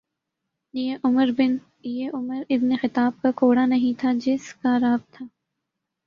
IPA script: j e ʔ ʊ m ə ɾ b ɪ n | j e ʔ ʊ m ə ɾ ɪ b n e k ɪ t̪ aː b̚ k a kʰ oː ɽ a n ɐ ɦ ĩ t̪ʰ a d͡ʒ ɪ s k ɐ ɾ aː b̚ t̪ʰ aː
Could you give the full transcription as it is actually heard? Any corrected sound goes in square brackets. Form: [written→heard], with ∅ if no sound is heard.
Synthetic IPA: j e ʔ ʊ m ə ɾ b ɪ n | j e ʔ ʊ m ə ɾ ɪ b n e [k→x] ɪ t̪ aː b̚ k a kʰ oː ɽ a n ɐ ɦ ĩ t̪ʰ a d͡ʒ ɪ s k [ɐ→a] ɾ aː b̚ t̪ʰ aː